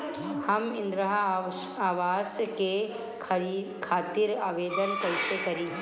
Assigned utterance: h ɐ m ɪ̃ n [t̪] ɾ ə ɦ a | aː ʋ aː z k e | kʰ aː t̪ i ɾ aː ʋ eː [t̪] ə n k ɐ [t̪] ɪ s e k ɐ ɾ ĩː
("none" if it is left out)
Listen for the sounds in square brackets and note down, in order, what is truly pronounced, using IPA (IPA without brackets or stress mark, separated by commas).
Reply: d̪, d̪, none